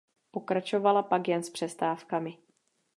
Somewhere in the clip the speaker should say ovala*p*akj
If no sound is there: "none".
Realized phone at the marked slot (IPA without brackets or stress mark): p